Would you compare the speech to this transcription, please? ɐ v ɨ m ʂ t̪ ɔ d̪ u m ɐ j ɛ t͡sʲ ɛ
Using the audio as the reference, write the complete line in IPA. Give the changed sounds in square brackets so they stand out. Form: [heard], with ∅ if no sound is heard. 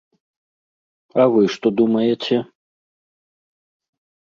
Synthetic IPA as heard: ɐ v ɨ [∅] ʂ t̪ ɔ d̪ u m ɐ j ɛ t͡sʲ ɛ